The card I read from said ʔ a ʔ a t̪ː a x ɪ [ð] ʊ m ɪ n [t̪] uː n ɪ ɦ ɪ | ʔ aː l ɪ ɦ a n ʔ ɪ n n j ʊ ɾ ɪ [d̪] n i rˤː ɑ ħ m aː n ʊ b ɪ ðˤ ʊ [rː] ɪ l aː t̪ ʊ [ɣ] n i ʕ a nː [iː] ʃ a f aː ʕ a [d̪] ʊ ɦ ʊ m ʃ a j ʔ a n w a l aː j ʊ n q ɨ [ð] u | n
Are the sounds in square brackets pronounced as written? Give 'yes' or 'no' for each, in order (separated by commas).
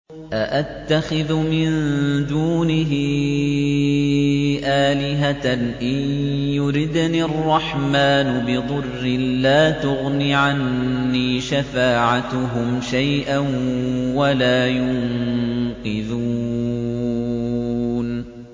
yes, no, yes, yes, yes, yes, no, yes